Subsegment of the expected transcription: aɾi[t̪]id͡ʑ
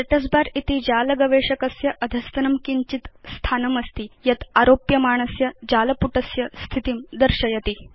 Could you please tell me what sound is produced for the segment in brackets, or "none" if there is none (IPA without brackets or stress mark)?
t̪